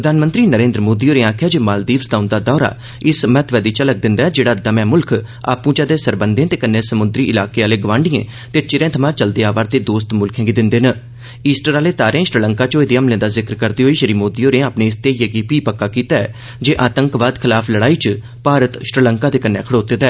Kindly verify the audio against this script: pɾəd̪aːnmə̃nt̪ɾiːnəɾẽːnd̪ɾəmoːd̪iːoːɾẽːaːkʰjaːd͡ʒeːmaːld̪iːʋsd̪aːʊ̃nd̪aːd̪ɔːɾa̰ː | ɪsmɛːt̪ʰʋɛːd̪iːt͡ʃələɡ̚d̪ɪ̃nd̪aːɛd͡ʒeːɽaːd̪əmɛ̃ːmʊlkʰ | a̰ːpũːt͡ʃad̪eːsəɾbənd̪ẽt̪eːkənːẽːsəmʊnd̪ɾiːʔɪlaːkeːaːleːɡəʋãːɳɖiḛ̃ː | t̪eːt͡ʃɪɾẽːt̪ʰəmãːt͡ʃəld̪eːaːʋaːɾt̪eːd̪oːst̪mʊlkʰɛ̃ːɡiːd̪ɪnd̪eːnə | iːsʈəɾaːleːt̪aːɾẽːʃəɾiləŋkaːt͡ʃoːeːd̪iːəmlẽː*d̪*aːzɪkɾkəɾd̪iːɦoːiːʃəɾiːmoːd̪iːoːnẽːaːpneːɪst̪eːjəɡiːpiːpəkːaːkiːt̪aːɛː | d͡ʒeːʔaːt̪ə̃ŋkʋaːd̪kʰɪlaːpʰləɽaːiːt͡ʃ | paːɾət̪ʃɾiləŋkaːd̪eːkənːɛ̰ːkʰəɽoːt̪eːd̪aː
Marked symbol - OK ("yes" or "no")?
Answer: yes